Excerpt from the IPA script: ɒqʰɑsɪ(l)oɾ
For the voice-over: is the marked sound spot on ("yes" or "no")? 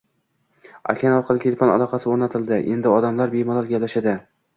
no